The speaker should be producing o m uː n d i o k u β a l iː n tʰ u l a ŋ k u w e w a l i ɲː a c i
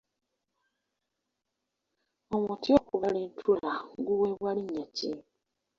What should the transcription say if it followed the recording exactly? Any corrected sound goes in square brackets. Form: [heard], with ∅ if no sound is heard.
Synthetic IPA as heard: o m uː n [t] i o k u β a l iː n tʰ u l a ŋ [ɡ] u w e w a l i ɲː a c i